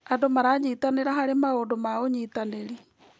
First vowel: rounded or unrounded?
unrounded